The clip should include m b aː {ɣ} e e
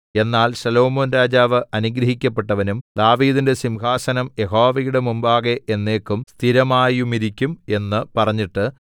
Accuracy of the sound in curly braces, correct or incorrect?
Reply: correct